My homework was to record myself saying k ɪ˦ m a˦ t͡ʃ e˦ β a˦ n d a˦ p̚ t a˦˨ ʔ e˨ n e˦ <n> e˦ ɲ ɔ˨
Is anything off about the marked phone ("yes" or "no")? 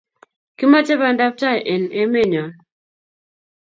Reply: yes